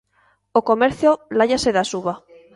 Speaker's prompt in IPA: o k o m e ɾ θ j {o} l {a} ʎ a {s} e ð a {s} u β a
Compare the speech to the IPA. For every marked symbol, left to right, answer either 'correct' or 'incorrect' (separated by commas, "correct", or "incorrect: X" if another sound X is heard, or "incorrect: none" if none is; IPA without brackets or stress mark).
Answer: correct, correct, correct, correct